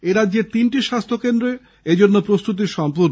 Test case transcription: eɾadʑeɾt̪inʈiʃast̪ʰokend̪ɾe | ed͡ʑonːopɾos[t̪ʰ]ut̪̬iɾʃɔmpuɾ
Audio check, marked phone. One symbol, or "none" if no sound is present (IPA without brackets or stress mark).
t̪